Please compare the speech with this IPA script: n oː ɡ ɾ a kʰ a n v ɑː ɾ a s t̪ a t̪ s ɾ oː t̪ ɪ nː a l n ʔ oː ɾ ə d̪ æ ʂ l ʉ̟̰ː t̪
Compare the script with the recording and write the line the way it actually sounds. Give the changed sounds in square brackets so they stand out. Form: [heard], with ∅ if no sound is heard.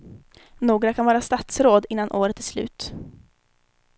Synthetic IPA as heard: n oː ɡ ɾ a kʰ a n v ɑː ɾ a s t̪ a t̪ s ɾ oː [d̪] ɪ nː a [∅] n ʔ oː ɾ ə [t̪] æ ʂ l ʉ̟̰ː t̪